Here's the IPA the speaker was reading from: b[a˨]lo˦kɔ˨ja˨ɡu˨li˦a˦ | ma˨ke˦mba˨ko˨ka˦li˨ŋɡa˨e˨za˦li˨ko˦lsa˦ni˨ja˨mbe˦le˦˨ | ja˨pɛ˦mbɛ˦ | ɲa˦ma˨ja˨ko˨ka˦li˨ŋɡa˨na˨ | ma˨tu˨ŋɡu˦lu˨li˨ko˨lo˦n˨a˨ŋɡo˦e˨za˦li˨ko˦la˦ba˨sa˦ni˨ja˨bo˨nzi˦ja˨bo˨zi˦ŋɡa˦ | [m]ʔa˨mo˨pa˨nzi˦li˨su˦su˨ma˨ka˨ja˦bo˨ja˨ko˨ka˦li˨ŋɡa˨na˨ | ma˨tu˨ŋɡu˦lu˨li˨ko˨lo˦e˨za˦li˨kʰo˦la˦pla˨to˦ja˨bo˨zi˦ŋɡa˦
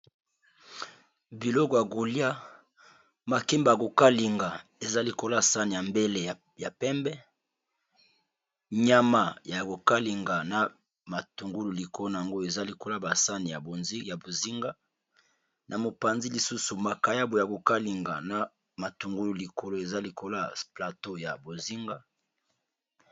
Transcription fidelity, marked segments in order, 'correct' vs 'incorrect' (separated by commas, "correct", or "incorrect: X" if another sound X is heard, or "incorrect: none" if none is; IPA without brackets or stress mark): incorrect: i˨, incorrect: n